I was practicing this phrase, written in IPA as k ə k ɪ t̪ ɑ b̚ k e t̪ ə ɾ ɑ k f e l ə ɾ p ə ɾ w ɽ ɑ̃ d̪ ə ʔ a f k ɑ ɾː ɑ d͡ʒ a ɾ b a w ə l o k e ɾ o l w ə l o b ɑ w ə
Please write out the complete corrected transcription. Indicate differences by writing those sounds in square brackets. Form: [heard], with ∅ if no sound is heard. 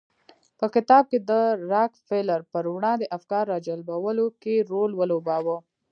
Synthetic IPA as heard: [p] ə k ɪ t̪ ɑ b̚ k e [d̪] ə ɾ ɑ k f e l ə ɾ p ə ɾ w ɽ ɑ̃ d̪ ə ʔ a f k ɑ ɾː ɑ d͡ʒ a [l] b a w ə l o k e ɾ o l w ə l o b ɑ w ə